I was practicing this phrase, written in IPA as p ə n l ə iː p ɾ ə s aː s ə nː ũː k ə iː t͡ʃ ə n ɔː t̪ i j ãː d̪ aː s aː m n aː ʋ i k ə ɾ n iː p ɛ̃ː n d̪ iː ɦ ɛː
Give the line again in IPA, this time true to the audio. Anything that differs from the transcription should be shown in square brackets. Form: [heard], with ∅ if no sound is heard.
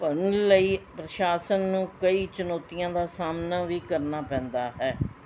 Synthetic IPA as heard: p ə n l ə iː p ɾ ə [ʃ] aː s ə nː ũː k ə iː t͡ʃ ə n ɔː t̪ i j ãː d̪ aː s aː m n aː ʋ [iː] k ə ɾ n [aː] p ɛ̃ː n d̪ [aː] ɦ ɛː